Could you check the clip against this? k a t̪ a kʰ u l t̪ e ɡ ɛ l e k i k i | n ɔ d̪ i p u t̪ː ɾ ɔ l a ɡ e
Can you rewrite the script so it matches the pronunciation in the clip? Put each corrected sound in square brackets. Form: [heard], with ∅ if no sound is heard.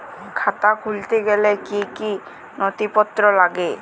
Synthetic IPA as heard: [kʰ] a t̪ a kʰ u l t̪ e ɡ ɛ l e k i k i | n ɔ [t̪] i p [ɔ] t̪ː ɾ ɔ l a ɡ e